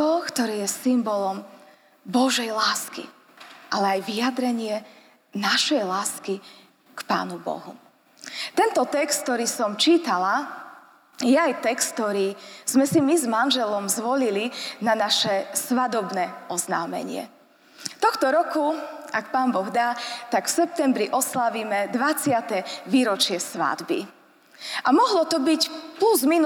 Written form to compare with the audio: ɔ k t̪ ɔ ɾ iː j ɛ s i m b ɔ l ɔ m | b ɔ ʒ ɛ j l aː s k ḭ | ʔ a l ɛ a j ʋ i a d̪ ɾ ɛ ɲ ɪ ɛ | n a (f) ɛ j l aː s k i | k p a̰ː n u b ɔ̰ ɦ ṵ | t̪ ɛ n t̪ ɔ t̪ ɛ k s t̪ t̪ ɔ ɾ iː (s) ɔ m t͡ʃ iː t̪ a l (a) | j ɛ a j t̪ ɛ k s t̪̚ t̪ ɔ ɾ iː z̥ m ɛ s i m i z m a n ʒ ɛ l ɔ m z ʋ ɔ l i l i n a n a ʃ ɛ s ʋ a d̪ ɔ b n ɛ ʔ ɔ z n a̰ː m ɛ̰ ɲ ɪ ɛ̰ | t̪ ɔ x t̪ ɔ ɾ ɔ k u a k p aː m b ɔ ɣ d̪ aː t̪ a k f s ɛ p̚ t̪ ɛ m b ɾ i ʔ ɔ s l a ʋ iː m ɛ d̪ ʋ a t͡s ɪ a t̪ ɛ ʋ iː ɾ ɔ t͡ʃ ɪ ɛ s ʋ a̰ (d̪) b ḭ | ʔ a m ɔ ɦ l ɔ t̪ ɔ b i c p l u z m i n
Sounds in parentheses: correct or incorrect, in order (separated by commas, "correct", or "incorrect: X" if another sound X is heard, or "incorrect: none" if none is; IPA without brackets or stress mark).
incorrect: ʃ, correct, correct, correct